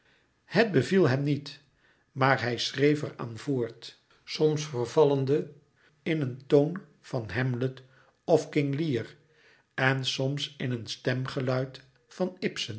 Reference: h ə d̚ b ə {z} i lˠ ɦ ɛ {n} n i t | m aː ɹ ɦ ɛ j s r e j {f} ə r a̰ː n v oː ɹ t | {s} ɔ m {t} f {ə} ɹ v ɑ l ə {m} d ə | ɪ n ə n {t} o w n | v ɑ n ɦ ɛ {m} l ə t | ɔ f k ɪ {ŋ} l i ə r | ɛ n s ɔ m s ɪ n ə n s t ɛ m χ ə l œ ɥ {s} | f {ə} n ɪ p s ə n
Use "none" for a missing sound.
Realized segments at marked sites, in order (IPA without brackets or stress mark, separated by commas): v, m, f, s, s, ə, n, t, m, ŋ, t, ɑ